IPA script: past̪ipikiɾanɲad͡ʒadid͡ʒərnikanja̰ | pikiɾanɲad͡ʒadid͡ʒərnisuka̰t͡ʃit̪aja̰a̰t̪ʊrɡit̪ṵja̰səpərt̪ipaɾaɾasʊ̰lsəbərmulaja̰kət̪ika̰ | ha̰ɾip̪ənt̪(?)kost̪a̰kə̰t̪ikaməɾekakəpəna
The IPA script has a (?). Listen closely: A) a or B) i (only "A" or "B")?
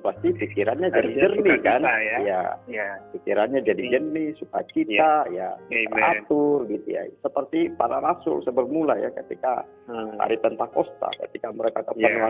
A